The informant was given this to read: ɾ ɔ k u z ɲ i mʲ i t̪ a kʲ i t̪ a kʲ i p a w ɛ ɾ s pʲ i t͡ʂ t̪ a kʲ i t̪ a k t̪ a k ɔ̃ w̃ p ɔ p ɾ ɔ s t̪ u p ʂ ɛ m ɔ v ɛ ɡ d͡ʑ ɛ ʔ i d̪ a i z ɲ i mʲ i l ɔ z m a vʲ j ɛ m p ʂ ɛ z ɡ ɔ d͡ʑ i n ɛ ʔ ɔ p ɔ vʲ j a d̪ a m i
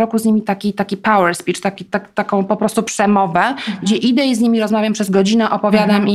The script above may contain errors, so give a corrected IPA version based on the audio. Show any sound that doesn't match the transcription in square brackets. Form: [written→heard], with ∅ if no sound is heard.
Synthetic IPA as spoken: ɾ ɔ k u z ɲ i mʲ i t̪ a kʲ i t̪ a kʲ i p a w ɛ ɾ s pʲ i t͡ʂ t̪ a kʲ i t̪ a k t̪ a k ɔ̃ w̃ p ɔ p ɾ ɔ s t̪ u p ʂ ɛ m ɔ v ɛ ɡ d͡ʑ ɛ ʔ i d̪ [a→ɛ] i z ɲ i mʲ i [l→ɾ] ɔ z m a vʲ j [ɛ→a] m p ʂ ɛ z ɡ ɔ d͡ʑ i n ɛ ʔ ɔ p ɔ vʲ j a d̪ a m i